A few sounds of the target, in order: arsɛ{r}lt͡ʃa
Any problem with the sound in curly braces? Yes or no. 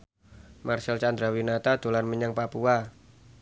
yes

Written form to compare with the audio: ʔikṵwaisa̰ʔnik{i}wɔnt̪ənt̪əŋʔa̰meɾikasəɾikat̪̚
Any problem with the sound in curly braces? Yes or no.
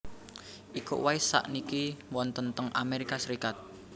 no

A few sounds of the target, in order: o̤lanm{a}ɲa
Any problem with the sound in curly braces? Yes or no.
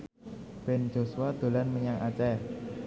yes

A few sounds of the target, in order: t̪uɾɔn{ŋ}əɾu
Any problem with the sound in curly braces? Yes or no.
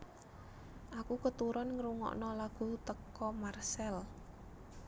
no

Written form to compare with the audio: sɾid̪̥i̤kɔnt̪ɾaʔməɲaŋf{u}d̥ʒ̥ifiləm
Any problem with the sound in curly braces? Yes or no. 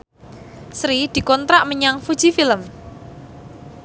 no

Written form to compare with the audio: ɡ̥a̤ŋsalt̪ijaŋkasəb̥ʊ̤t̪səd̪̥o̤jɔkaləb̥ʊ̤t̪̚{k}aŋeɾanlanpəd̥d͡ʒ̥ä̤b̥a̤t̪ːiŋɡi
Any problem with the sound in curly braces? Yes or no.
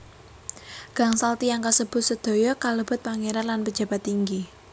yes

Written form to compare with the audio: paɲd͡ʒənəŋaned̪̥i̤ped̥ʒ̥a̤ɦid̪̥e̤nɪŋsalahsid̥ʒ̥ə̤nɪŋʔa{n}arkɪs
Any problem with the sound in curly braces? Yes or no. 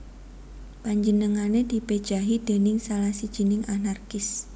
no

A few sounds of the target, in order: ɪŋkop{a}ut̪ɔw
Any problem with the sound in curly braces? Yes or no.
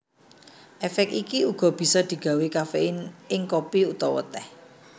yes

